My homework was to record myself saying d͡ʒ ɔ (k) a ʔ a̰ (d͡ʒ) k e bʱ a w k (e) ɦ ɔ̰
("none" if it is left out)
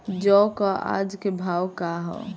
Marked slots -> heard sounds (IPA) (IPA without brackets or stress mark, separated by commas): k, d͡ʒ, a